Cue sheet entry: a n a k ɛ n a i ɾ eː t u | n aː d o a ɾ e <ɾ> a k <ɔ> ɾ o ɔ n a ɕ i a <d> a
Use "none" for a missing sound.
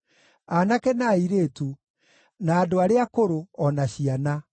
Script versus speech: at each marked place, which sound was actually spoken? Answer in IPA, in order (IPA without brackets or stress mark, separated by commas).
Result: none, o, n